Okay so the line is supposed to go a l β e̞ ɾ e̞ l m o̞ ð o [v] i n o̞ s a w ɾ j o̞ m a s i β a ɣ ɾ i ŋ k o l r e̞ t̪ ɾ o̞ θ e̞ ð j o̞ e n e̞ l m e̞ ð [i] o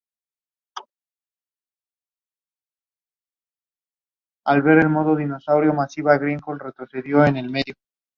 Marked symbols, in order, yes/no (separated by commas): no, no